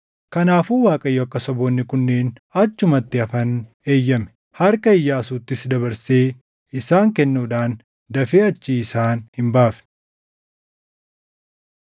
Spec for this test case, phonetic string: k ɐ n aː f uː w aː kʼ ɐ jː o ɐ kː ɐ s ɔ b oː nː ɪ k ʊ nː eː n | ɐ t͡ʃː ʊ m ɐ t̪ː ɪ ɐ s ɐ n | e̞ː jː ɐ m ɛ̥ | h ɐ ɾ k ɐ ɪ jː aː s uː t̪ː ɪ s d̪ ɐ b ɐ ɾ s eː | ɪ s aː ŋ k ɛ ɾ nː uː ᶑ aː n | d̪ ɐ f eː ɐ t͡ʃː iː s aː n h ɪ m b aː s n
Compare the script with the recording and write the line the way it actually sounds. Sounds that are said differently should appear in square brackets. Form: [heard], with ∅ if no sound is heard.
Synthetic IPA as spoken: k ɐ n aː f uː w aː kʼ ɐ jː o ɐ kː ɐ s ɔ b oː nː ɪ k ʊ nː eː n | ɐ t͡ʃː ʊ m ɐ t̪ː ɪ ɐ [f] ɐ n | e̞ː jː ɐ m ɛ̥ | h ɐ ɾ k ɐ ɪ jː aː s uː t̪ː ɪ s d̪ ɐ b ɐ ɾ s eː | ɪ s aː ŋ k ɛ [∅] nː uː ᶑ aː n | d̪ ɐ f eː ɐ t͡ʃː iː s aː n h ɪ m b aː [f] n